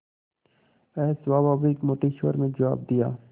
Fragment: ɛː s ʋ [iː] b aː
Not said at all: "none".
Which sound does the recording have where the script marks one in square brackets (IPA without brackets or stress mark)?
aː